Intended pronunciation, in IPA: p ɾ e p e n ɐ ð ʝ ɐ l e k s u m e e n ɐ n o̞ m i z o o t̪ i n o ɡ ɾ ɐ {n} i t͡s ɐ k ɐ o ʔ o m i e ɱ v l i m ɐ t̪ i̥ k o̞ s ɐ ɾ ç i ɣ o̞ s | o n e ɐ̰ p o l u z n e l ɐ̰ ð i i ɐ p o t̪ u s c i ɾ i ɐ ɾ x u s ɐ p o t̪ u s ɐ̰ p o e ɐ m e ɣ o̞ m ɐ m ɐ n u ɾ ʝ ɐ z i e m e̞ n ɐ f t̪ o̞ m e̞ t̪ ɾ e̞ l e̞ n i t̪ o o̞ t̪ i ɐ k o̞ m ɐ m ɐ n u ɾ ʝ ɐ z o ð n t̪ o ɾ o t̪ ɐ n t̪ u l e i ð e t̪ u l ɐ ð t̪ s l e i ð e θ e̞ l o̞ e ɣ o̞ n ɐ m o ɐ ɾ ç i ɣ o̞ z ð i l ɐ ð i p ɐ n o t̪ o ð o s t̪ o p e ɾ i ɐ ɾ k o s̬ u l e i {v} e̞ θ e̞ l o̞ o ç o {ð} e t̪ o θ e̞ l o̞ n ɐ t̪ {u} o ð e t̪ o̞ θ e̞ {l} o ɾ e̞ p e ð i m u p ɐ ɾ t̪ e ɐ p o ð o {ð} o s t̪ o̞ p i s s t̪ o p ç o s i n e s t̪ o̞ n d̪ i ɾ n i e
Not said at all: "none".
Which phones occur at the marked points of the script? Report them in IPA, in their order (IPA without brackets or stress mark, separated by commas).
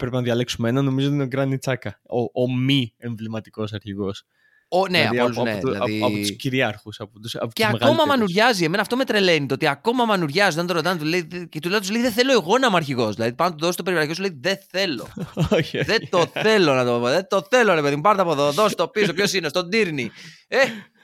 n, ð, ð, o, l, ð